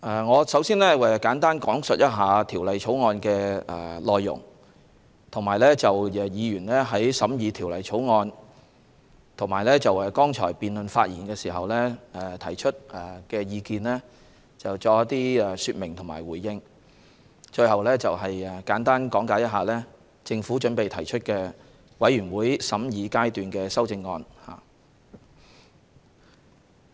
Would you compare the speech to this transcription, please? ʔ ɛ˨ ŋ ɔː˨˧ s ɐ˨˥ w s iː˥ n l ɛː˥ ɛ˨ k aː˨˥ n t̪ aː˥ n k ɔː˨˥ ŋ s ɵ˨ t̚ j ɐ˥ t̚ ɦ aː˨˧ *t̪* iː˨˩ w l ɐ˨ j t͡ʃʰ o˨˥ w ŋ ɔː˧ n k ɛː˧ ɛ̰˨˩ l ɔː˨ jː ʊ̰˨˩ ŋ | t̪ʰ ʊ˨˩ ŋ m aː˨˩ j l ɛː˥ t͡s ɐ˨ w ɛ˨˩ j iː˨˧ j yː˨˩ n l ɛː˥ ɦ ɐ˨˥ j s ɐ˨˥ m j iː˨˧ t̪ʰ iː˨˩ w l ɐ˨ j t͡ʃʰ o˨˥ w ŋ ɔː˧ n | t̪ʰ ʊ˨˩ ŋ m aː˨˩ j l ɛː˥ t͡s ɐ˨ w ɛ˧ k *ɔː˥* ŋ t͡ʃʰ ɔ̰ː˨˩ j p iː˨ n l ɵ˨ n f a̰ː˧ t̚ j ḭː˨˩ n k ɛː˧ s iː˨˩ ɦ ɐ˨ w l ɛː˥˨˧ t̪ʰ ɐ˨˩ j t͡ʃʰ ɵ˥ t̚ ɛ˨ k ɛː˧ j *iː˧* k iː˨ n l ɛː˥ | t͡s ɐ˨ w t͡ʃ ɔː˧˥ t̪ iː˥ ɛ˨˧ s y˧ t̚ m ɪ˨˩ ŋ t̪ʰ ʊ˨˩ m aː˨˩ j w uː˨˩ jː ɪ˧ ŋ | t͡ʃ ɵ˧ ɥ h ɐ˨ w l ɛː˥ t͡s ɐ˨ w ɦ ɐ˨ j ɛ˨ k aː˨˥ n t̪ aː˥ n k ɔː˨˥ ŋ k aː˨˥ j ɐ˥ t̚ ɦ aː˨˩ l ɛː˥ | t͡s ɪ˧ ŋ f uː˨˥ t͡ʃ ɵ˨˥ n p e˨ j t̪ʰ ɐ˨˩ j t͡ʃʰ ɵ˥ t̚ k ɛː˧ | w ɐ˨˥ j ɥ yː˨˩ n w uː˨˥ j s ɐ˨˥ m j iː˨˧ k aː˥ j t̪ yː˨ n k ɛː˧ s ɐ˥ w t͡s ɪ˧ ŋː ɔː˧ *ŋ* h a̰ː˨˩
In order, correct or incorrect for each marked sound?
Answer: incorrect: t̪ʰ, correct, correct, incorrect: n

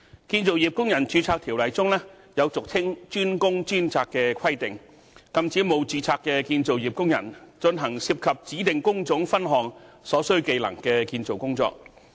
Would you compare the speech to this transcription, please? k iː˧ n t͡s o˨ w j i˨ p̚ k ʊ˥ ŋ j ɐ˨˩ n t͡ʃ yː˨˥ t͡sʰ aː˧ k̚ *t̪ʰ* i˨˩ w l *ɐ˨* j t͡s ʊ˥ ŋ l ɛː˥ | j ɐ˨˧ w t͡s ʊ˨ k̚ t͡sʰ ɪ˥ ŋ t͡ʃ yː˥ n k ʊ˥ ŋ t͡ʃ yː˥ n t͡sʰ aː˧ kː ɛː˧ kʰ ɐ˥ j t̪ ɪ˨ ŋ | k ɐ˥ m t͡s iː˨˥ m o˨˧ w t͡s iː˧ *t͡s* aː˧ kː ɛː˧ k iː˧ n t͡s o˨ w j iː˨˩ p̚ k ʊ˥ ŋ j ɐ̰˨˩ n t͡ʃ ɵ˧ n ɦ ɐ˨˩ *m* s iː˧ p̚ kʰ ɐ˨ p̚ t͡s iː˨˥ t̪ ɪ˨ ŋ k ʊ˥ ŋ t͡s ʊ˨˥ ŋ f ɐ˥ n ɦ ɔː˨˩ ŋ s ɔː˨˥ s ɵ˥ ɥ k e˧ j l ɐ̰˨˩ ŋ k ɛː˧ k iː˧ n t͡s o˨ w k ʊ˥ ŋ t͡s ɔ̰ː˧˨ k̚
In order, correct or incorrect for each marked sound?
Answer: correct, correct, incorrect: t͡sʰ, incorrect: ŋ

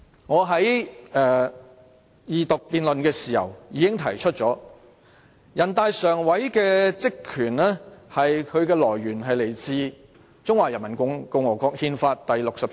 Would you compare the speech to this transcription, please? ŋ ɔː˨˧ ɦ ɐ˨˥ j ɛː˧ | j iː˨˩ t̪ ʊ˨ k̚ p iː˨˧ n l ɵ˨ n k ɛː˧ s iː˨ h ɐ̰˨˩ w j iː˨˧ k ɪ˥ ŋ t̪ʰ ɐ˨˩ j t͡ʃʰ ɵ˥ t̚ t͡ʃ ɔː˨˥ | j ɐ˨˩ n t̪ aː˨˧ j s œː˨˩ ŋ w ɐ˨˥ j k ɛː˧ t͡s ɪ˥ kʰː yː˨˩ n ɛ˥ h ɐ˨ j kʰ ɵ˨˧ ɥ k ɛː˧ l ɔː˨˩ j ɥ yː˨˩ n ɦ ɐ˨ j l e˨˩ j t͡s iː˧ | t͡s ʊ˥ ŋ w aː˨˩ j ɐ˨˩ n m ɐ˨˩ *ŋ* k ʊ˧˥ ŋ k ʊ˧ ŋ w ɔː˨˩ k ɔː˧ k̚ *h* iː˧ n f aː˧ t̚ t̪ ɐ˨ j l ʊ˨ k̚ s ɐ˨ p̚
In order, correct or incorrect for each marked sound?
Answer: incorrect: n, correct

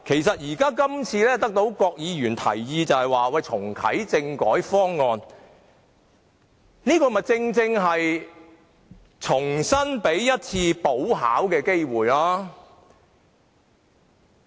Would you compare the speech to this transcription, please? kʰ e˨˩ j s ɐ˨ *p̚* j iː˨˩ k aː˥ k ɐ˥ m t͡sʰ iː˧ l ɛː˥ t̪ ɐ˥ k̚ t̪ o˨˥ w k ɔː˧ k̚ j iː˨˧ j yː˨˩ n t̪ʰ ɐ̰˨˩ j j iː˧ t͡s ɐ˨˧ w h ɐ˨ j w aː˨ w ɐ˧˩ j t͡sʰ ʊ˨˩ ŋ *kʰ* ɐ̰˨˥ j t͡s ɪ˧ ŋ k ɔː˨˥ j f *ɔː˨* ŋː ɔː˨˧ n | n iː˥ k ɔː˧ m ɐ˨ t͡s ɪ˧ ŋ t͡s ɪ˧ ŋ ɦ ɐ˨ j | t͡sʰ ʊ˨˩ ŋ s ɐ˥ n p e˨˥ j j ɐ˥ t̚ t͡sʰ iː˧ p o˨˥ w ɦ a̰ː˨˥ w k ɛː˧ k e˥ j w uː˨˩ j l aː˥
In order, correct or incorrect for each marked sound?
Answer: incorrect: t̚, correct, incorrect: ɔː˥

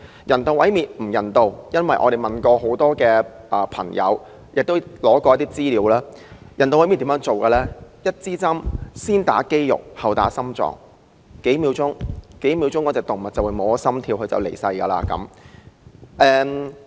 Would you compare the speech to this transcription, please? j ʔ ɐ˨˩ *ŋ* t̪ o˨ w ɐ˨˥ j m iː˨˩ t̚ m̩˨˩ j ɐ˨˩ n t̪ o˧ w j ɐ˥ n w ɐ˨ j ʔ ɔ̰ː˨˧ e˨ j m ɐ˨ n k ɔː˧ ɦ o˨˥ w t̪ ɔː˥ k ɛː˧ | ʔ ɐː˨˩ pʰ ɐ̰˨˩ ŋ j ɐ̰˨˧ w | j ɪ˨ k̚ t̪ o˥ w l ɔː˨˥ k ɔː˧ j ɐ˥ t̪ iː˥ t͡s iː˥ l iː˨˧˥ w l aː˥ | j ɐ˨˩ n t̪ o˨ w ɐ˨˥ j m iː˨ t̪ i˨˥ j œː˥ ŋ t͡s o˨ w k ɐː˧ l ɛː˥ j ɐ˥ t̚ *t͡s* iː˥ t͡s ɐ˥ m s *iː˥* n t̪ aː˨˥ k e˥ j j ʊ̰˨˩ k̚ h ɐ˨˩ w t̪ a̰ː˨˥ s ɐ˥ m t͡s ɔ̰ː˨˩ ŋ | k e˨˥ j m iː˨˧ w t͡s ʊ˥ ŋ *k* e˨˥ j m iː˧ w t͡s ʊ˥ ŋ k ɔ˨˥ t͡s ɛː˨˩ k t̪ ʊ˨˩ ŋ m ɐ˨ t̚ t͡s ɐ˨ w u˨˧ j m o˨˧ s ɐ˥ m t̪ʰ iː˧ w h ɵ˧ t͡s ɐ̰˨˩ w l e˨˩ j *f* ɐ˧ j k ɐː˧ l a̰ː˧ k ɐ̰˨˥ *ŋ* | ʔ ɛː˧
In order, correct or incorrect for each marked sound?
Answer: incorrect: n, correct, correct, correct, incorrect: s, incorrect: m

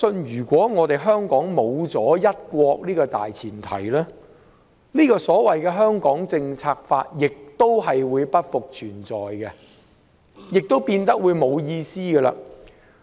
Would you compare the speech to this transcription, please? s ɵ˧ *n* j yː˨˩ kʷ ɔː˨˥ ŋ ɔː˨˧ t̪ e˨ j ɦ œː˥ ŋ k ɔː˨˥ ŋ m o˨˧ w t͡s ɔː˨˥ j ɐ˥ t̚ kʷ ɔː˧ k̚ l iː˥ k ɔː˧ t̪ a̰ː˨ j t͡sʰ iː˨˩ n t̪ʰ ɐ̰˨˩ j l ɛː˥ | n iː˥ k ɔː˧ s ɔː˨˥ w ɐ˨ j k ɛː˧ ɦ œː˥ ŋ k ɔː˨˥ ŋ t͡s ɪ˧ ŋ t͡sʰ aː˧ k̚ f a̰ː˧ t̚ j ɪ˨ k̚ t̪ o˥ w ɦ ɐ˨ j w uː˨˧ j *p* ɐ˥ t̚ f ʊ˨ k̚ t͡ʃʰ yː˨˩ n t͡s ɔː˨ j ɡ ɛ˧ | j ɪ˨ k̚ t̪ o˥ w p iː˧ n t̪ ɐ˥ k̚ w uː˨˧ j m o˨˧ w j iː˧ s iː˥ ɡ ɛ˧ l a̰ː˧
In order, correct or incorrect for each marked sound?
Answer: correct, correct

